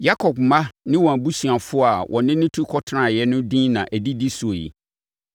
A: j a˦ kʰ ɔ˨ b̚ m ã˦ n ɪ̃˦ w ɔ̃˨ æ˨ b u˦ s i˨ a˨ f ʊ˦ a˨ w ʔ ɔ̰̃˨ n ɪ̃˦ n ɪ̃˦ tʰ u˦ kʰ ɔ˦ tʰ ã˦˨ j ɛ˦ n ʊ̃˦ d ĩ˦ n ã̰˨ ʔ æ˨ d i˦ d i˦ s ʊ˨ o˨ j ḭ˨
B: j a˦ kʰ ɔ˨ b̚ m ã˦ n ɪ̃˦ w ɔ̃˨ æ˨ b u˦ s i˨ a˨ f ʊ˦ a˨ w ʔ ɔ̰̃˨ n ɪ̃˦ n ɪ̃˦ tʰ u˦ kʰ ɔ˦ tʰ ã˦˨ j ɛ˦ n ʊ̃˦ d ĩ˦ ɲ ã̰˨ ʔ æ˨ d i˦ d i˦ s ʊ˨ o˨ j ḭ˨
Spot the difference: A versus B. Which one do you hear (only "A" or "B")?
A